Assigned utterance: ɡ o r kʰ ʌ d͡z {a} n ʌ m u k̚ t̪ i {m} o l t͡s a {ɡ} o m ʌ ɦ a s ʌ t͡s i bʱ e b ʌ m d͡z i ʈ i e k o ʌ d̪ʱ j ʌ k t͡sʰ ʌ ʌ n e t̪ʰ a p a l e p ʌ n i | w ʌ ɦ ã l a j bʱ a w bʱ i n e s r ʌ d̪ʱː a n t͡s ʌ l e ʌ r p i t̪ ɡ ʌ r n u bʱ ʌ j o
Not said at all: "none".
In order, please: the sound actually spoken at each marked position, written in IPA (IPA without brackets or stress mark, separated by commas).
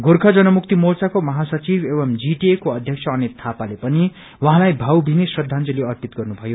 ʌ, m, k